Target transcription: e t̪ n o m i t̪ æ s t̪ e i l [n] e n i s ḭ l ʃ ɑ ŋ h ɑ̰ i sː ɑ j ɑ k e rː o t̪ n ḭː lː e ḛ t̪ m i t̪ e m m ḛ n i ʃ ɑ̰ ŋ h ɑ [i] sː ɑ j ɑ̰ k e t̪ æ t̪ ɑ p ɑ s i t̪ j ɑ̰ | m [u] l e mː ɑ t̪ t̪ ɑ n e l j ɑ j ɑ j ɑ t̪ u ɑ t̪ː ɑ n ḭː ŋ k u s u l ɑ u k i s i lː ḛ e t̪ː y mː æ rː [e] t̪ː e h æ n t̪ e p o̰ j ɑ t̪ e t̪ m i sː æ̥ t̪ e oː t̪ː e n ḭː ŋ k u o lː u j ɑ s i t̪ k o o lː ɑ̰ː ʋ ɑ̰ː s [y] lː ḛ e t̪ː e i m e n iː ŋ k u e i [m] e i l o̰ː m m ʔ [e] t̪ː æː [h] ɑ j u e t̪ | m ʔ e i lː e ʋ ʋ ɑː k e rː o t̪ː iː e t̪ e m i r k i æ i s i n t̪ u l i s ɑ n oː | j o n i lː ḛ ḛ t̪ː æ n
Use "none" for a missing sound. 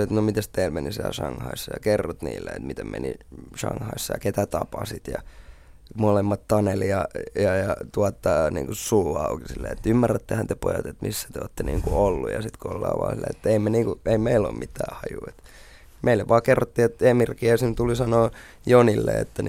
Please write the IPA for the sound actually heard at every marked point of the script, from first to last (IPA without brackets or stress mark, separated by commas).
m, i, o, æ, i, m, i, h